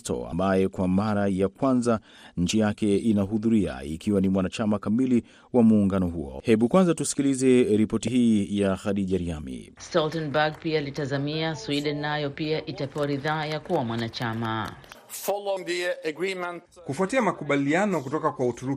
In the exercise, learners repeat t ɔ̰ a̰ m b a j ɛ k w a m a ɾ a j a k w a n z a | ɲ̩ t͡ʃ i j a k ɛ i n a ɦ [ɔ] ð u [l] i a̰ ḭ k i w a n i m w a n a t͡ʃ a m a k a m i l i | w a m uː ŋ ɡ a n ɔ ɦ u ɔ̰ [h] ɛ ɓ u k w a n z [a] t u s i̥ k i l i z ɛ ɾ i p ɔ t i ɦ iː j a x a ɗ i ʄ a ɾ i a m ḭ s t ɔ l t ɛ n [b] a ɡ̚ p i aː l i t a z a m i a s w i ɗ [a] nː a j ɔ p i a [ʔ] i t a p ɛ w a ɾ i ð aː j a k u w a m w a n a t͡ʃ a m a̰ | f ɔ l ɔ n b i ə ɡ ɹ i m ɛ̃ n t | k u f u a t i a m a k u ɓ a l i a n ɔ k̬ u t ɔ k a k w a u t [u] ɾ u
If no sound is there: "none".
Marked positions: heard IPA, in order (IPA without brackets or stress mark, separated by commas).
u, ɾ, h, a, b, ɛ, ʔ, u